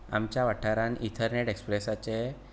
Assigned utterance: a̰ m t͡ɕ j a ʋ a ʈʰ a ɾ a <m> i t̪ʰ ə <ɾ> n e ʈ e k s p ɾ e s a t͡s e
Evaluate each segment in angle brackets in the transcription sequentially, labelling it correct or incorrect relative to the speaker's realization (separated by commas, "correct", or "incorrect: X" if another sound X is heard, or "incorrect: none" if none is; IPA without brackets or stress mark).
incorrect: n, correct